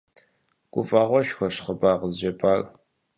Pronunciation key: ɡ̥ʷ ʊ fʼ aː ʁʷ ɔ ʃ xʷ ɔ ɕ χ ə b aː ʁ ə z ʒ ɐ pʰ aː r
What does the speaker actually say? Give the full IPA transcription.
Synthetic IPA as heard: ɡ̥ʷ ʊ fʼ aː ʁʷ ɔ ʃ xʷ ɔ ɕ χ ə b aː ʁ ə z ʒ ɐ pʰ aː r